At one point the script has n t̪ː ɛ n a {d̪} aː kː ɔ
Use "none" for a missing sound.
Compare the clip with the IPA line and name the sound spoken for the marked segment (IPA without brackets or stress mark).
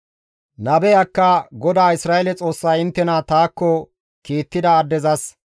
t̪